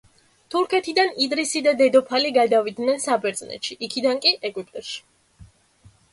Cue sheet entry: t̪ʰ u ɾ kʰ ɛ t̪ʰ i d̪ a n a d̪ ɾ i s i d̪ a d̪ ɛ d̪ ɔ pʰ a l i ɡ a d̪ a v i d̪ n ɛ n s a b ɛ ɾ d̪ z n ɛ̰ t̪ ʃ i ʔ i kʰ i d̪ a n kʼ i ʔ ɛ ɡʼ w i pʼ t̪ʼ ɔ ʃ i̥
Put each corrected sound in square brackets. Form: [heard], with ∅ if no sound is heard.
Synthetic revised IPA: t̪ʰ u ɾ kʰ ɛ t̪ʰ i d̪ a n [i] d̪ ɾ i s i d̪ a d̪ ɛ d̪ ɔ pʰ a l i ɡ a d̪ a v i d̪ n ɛ n s a b ɛ ɾ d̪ z n ɛ̰ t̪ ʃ i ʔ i kʰ i d̪ a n kʼ i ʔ ɛ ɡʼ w i pʼ t̪ʼ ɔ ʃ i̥